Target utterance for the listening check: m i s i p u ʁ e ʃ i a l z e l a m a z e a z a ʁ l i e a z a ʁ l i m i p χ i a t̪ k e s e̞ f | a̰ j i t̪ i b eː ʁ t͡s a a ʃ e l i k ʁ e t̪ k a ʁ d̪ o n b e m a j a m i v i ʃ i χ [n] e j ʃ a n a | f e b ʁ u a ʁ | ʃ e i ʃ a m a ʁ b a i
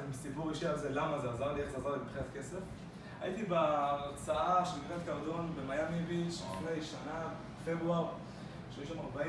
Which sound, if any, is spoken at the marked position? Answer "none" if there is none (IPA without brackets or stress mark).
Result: n